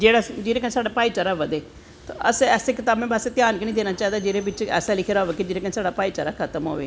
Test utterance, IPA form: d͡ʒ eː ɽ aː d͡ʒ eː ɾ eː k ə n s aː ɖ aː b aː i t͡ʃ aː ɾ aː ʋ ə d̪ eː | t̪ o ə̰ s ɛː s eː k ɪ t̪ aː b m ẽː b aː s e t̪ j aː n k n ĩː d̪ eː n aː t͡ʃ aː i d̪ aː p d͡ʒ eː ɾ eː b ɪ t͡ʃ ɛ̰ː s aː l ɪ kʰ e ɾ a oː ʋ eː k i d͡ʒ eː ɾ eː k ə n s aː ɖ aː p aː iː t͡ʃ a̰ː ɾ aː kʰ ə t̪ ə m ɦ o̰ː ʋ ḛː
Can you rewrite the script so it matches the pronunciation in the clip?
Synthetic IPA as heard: d͡ʒ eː ɽ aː d͡ʒ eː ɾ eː k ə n s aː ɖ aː p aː i t͡ʃ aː ɾ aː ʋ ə d̪ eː | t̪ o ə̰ s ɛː s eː k ɪ t̪ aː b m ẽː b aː s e t̪ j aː n k n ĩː d̪ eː n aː t͡ʃ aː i d̪ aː d͡ʒ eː ɾ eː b ɪ t͡ʃ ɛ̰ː s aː l ɪ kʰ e ɾ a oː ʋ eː k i d͡ʒ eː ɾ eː k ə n s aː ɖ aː p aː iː t͡ʃ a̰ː ɾ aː kʰ ə t̪ ə m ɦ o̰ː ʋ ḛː